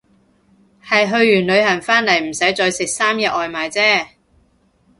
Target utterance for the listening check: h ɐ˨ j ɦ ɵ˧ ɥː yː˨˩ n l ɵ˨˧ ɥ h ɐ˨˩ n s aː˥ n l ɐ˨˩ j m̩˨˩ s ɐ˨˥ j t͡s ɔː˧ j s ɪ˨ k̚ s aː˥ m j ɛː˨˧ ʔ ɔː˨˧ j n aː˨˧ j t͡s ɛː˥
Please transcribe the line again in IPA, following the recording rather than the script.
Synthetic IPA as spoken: h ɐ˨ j ɦ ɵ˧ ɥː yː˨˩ n l ɵ˨˧ ɥ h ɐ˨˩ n f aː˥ n l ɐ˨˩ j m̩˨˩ s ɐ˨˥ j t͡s ɔː˧ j s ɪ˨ k̚ s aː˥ m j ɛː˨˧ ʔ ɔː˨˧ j m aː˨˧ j t͡s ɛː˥